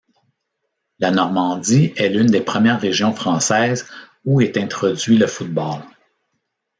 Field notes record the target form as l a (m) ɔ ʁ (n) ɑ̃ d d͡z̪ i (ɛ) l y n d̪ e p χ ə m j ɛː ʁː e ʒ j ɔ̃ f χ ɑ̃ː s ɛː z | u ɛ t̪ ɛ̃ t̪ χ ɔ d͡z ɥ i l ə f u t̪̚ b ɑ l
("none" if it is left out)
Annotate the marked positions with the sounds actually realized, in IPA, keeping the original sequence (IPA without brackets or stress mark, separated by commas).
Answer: n, m, ɛ